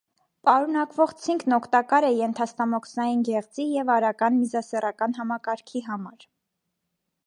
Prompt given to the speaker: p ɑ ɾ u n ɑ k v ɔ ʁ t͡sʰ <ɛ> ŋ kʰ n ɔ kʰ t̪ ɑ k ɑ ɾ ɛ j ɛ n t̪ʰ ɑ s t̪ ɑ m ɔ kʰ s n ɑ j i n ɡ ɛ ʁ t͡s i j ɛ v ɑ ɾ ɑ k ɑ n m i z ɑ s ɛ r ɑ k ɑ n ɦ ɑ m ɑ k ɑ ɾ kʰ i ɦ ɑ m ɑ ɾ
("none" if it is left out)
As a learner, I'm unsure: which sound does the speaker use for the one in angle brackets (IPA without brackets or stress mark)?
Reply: i